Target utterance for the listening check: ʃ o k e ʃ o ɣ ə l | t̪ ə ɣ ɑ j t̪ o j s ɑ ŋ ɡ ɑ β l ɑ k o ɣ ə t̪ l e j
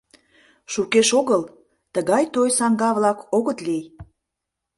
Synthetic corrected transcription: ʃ u k e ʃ o ɣ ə l | t̪ ə ɣ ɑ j t̪ o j s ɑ ŋ ɡ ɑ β l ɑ k o ɣ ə t̪ l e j